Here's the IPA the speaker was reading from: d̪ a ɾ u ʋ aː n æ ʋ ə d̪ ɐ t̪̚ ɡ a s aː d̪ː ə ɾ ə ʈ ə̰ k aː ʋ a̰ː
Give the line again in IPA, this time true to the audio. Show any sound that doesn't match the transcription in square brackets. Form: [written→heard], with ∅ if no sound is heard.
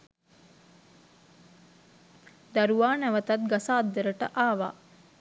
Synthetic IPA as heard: d̪ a ɾ u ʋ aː n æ ʋ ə [d̪→t̪] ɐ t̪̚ ɡ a s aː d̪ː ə ɾ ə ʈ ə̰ [k→ʔ] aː ʋ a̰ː